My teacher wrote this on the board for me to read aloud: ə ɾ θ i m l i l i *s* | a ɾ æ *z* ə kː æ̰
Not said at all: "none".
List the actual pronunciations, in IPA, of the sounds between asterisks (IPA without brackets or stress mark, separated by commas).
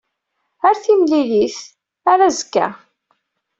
θ, z